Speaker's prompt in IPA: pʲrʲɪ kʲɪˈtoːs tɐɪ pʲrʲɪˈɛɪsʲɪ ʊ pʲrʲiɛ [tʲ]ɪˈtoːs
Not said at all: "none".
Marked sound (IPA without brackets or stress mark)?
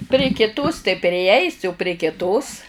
kʲ